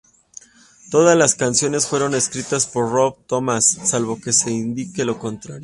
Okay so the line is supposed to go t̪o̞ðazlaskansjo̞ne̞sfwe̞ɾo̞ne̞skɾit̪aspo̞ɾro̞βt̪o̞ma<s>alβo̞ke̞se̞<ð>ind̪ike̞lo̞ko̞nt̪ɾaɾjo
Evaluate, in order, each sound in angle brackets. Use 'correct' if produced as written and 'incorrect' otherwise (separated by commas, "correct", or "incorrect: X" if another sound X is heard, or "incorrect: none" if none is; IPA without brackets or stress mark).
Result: incorrect: sː, incorrect: none